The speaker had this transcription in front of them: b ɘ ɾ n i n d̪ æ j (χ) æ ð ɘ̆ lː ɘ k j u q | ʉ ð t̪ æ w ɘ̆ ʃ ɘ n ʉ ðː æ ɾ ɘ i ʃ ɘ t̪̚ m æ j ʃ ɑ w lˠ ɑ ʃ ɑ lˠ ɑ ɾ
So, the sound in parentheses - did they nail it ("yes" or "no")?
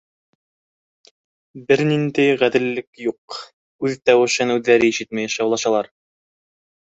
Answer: no